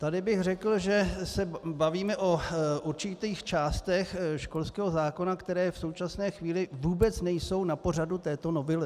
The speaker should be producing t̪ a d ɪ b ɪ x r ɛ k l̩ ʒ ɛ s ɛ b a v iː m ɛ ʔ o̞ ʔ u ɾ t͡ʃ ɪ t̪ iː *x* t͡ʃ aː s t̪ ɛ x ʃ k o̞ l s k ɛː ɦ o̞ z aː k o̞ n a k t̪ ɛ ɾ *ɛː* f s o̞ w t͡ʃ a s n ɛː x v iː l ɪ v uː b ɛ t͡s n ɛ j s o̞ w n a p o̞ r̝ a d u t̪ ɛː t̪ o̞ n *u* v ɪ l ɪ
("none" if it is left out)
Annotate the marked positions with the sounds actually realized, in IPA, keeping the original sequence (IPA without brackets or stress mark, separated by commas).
x, ɛː, o